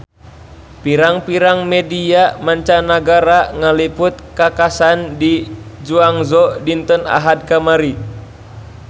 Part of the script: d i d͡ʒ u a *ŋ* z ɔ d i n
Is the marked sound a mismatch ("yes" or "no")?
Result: no